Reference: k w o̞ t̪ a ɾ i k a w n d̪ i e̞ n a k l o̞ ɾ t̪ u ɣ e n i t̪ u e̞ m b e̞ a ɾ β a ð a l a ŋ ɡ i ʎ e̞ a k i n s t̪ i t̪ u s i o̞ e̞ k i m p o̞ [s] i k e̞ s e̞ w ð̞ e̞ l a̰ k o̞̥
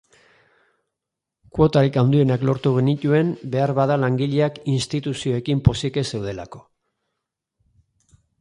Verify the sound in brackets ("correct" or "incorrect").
correct